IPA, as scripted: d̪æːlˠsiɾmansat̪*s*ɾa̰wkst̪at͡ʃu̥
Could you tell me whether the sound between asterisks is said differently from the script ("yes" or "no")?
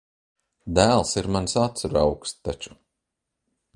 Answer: no